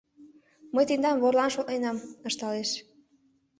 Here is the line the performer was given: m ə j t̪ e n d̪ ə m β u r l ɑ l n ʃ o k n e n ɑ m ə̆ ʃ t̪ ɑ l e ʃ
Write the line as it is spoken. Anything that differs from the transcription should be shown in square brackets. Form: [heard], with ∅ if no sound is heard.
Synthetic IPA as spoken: m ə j t̪ e n d̪ [ɑ] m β [o] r l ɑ [∅] n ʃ o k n e n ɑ m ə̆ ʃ t̪ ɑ l e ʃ